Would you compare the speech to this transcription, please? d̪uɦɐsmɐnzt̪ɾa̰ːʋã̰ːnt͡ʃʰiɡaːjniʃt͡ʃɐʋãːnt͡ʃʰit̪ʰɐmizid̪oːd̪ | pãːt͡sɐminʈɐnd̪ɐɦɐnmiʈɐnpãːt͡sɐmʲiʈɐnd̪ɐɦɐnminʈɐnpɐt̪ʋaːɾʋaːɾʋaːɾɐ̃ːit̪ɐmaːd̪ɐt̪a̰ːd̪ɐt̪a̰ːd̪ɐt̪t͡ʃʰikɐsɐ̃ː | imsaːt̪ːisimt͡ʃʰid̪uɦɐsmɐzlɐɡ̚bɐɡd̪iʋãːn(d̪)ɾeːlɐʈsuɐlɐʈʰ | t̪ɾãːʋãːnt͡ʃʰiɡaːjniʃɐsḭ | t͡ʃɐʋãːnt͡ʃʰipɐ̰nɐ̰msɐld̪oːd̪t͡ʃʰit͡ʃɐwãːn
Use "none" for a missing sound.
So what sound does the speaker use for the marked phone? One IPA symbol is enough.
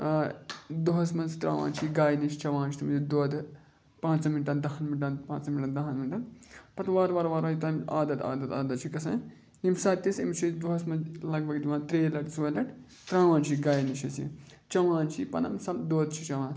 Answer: t̪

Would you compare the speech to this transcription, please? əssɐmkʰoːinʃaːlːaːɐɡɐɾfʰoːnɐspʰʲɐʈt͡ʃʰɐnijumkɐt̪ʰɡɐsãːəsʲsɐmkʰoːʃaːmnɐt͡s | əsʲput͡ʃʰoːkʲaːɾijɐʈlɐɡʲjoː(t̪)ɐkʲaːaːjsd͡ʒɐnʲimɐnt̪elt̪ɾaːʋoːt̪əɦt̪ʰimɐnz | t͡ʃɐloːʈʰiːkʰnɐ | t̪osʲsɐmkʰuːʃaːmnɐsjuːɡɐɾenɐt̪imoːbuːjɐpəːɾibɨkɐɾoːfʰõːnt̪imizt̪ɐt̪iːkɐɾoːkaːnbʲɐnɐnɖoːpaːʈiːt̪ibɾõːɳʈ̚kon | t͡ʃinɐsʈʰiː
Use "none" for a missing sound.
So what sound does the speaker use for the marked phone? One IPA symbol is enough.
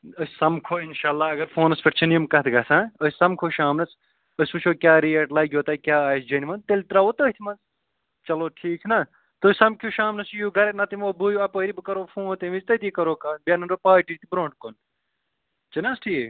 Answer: t̪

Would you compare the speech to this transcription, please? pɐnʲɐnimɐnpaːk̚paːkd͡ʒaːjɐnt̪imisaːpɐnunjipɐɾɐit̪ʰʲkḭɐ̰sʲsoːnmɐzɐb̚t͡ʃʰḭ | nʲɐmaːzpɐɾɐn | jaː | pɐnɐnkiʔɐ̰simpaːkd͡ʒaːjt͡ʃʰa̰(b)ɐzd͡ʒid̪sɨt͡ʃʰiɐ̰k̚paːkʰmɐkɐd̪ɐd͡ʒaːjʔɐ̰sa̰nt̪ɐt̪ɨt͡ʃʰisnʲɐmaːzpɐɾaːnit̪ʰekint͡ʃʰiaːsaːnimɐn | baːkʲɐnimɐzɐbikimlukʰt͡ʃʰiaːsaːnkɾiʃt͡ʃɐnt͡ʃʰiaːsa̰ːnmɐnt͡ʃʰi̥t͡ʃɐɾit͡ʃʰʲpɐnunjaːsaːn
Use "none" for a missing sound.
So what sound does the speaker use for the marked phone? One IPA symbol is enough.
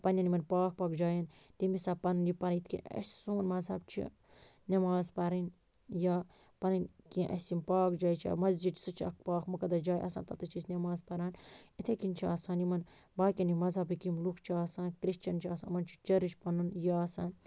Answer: m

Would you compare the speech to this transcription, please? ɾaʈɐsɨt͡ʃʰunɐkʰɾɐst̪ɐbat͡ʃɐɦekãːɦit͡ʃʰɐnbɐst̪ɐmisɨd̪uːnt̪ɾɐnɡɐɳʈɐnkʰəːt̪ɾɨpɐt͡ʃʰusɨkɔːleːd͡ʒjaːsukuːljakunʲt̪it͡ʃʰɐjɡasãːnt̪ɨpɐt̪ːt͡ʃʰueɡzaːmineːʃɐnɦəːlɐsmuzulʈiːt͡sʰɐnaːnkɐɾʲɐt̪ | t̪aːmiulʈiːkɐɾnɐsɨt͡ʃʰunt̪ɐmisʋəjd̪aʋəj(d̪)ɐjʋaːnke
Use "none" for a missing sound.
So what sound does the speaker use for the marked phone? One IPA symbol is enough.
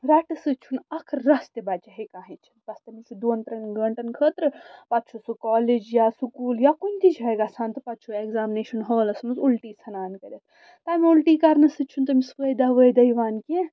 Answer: d̪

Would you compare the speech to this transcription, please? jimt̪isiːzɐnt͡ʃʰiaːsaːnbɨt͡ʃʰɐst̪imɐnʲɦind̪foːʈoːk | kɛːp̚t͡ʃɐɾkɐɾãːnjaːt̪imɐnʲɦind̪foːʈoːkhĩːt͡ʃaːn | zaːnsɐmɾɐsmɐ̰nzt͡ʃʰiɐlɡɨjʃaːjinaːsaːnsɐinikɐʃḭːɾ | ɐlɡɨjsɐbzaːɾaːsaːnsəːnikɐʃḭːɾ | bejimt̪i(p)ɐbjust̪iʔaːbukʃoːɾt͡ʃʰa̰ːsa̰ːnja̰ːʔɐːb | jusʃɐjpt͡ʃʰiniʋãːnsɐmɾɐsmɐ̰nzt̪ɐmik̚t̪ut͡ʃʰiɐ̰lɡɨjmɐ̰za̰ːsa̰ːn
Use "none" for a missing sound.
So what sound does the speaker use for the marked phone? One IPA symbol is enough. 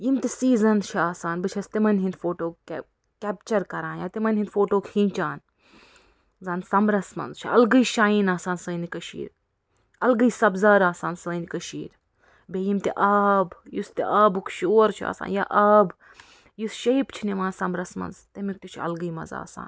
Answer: ʔ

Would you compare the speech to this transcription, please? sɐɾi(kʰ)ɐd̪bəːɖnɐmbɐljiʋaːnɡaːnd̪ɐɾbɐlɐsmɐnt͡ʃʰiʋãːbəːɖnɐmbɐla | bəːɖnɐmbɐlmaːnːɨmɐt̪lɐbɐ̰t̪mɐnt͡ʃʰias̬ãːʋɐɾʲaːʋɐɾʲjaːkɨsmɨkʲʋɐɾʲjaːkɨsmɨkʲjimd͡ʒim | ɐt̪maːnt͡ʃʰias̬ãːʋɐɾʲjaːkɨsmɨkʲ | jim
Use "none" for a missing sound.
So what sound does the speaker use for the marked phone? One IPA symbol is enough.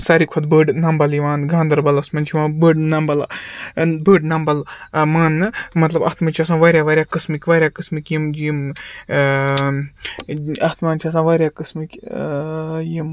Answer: kʰ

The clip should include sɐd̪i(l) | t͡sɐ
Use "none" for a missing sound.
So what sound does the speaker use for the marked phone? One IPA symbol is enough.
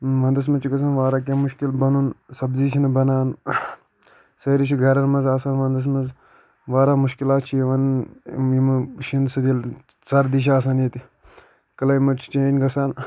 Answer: l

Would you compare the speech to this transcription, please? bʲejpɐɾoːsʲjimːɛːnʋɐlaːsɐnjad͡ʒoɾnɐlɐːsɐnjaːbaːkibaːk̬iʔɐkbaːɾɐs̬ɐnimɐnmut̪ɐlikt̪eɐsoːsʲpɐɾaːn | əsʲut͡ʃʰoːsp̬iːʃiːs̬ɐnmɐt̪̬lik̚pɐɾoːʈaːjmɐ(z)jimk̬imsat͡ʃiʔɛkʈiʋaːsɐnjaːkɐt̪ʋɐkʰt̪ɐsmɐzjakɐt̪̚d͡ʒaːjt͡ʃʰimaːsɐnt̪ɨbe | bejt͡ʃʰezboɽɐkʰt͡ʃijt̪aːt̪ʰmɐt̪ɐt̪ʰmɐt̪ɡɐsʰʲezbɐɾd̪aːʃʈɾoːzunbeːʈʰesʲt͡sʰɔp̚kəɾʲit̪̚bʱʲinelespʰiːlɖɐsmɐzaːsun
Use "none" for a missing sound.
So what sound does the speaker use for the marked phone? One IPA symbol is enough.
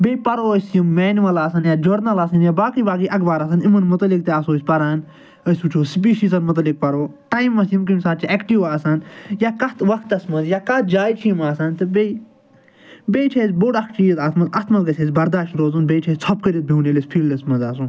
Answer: s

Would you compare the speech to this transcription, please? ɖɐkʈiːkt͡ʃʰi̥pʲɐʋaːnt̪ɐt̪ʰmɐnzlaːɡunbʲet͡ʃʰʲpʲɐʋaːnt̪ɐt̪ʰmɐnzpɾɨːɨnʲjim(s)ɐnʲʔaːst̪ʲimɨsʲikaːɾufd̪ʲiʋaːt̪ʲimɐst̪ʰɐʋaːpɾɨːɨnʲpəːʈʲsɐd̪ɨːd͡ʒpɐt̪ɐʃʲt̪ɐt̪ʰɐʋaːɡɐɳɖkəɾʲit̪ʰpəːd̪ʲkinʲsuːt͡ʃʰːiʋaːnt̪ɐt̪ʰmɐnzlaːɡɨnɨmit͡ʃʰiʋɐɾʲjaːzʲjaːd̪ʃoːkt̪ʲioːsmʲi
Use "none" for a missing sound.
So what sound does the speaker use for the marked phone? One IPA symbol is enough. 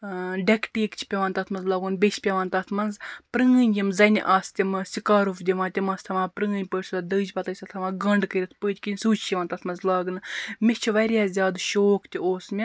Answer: z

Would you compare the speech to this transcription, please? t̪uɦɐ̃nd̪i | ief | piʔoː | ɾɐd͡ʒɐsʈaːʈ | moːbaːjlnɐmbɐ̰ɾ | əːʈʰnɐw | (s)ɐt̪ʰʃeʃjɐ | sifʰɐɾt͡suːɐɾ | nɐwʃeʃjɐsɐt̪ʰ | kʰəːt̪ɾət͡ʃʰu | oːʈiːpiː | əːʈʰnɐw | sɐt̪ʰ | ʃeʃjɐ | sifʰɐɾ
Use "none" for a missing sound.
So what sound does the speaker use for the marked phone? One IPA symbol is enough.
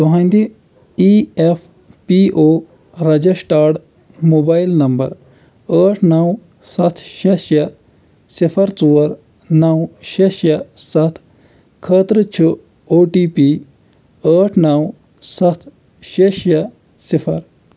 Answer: s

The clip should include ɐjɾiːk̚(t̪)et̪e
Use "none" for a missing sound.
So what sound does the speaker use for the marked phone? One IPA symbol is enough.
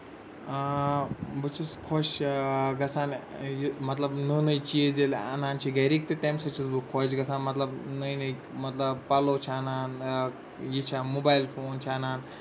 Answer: t̪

